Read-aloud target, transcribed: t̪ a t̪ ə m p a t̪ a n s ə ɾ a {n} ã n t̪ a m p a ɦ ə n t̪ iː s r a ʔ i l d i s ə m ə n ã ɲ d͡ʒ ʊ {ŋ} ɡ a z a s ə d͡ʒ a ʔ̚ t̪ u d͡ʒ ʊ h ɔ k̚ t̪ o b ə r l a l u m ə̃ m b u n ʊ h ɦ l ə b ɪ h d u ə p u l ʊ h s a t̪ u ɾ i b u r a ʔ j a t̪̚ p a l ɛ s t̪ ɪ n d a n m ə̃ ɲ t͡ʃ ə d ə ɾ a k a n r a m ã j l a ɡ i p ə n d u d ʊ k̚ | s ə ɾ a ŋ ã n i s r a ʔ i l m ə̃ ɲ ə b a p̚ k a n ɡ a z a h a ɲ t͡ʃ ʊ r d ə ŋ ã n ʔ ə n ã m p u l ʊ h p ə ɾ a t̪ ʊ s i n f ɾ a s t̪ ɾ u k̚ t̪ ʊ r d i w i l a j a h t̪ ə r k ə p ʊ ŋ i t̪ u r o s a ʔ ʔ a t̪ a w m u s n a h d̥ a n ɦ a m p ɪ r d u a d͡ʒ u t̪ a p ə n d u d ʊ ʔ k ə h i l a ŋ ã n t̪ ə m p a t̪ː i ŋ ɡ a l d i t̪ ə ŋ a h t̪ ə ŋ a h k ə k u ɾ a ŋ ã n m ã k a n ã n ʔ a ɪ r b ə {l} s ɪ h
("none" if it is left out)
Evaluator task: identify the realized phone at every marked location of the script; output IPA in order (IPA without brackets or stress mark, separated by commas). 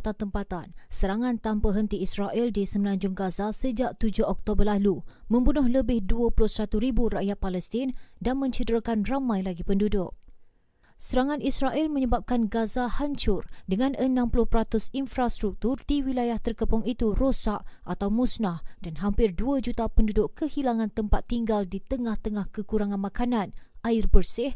ŋ, ŋ, r